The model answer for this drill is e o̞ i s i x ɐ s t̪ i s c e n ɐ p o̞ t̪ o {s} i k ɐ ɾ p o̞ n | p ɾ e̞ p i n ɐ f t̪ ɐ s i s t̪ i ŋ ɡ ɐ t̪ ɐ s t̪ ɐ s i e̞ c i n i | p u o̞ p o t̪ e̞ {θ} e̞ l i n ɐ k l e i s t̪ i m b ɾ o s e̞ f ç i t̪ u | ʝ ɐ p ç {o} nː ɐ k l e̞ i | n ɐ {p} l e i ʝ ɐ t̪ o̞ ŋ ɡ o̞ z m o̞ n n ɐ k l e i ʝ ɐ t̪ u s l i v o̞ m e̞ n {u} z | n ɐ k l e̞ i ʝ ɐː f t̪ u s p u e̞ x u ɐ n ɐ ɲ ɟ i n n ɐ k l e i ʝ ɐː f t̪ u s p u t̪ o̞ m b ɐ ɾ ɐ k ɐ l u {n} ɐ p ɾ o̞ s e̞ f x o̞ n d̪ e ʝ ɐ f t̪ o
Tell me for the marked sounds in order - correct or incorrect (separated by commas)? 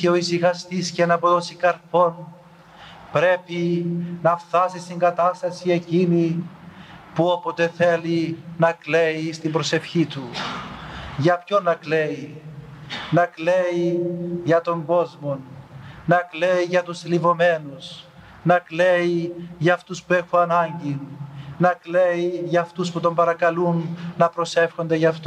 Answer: correct, correct, correct, incorrect, correct, incorrect